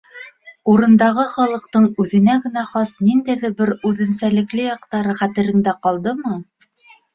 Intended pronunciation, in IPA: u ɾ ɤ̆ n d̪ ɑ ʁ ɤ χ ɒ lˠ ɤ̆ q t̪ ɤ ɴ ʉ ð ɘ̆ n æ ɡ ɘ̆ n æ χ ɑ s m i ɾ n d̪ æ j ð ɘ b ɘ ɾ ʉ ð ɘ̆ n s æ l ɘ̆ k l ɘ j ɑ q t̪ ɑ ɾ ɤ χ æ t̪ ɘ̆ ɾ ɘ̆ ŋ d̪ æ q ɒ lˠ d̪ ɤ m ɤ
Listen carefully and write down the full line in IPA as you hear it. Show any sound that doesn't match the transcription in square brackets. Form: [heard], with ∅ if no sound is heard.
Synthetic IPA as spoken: u ɾ ɤ̆ n d̪ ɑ ʁ ɤ χ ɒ lˠ ɤ̆ q t̪ ɤ ɴ ʉ ð ɘ̆ n æ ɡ ɘ̆ n æ χ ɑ s [n] i [∅] n d̪ æ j ð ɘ b ɘ ɾ ʉ ð ɘ̆ n s æ l ɘ̆ k l ɘ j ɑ q t̪ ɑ ɾ ɤ χ æ t̪ ɘ̆ ɾ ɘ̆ ŋ d̪ æ q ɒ lˠ d̪ ɤ m ɤ